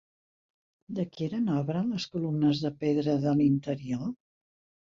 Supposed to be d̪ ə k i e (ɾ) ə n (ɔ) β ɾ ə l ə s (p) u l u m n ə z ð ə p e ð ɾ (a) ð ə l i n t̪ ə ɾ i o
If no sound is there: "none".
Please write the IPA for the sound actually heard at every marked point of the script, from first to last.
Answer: ɾ, ɔ, k, ə

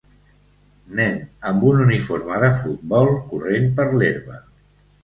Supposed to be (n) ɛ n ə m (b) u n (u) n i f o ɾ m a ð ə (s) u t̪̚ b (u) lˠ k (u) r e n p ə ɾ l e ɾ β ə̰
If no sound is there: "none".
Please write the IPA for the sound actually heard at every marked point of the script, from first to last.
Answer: n, b, u, f, ɔ, u

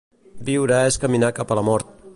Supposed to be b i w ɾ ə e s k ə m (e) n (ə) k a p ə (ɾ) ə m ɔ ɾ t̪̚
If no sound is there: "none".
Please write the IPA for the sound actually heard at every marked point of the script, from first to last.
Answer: i, a, l

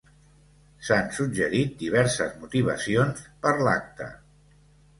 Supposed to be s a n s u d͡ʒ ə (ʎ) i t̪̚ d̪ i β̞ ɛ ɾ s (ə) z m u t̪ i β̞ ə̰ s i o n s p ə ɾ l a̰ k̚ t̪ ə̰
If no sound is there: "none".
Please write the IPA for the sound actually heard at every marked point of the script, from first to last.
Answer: ɾ, ə

